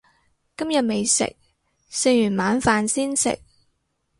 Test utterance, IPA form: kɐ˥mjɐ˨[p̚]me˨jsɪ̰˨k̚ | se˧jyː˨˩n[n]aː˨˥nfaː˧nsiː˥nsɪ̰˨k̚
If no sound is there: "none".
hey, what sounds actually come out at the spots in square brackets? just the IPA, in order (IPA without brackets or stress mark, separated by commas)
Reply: t̚, m